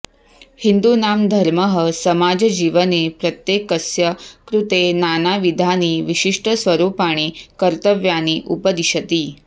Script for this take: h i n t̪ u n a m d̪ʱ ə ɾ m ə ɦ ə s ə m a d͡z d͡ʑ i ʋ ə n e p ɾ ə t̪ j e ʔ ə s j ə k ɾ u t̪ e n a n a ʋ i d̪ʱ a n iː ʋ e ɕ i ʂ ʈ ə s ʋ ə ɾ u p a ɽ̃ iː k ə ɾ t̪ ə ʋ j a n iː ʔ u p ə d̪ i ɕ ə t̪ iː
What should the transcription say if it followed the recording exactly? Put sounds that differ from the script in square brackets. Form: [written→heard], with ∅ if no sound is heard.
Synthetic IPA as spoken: h i n [t̪→d̪] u n a m d̪ʱ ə ɾ m ə ɦ ə s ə m a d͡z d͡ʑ i ʋ ə n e p ɾ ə t̪ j e [ʔ→k] ə s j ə k ɾ u t̪ e n a n a ʋ i d̪ʱ a n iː ʋ [e→i] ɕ i ʂ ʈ ə s ʋ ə ɾ u p a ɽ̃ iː k ə ɾ t̪ ə ʋ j a n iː ʔ u p ə d̪ i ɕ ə t̪ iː